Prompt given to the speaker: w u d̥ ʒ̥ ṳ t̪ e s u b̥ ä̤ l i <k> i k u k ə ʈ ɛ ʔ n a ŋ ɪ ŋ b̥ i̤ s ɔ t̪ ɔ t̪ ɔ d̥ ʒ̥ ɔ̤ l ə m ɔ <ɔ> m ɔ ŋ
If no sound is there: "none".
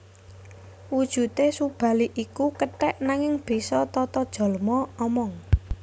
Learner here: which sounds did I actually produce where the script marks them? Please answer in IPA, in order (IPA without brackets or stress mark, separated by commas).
ʔ, ɔ